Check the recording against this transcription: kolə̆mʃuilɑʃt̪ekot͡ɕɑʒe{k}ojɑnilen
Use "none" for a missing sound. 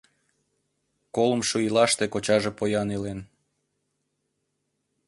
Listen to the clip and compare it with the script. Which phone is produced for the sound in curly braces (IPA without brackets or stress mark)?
p